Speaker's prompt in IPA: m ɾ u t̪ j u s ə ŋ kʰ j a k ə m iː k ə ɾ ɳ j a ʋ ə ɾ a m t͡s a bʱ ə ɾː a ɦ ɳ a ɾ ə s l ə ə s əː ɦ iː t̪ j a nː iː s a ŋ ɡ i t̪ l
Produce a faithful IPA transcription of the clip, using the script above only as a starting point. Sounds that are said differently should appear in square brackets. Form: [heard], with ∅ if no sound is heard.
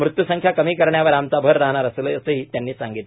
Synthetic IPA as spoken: m ɾ u t̪ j u s ə ŋ kʰ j a k ə m iː k ə ɾ ɳ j a ʋ ə ɾ a m t͡s a bʱ ə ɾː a ɦ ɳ a ɾ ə s l ə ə s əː ɦ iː t̪ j a nː iː s a ŋ ɡ i t̪ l